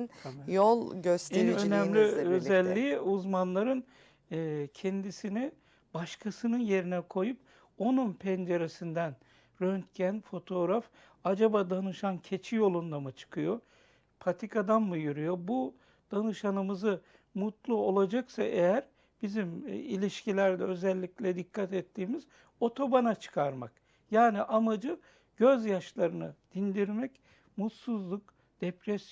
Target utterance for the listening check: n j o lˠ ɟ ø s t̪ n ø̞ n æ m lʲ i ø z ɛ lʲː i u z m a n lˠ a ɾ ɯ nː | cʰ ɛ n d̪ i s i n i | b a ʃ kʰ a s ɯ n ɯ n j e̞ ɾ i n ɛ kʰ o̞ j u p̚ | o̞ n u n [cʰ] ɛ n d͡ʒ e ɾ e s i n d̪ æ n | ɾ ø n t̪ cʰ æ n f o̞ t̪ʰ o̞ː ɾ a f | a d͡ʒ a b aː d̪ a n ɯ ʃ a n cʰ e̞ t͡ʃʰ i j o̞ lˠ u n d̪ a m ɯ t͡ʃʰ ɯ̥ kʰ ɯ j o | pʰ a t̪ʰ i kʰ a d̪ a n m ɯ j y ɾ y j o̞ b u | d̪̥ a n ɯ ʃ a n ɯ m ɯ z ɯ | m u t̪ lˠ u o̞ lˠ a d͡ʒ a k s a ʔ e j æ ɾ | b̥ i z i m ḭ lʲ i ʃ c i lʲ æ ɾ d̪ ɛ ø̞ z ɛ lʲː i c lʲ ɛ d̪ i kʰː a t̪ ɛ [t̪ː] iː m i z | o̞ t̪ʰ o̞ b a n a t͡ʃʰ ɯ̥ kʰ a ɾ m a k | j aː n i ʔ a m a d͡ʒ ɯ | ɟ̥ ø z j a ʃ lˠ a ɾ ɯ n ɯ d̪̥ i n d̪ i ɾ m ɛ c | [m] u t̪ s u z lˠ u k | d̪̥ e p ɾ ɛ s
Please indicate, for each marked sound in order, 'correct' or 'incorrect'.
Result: incorrect, correct, correct

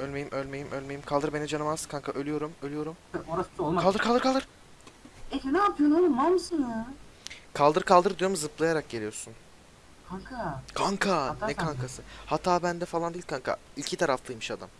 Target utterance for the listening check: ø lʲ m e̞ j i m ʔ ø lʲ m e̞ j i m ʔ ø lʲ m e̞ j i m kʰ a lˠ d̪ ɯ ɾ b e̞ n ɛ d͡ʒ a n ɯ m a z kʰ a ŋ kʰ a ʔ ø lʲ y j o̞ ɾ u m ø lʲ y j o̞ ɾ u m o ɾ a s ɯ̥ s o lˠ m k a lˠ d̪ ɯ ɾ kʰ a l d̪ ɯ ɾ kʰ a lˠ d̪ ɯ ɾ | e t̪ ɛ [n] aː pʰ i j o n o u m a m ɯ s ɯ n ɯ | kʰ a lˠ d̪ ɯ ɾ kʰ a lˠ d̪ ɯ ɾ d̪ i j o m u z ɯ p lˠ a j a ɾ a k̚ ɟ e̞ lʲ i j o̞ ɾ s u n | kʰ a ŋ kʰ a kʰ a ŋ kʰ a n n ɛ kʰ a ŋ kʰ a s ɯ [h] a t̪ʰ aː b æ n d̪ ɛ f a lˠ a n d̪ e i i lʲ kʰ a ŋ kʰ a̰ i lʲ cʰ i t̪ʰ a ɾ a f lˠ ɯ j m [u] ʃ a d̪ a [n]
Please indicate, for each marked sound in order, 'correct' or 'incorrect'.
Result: correct, correct, incorrect, incorrect

